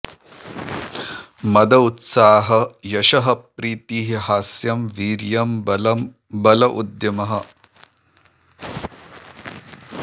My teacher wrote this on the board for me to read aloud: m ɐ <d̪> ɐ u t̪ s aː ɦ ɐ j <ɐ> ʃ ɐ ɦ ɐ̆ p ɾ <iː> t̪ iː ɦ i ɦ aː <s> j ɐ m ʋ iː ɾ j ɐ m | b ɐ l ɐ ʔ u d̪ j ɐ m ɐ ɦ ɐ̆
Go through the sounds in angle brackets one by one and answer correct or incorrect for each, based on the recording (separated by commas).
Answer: correct, correct, correct, correct